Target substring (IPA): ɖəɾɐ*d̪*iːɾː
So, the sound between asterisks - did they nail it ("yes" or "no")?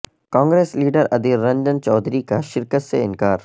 yes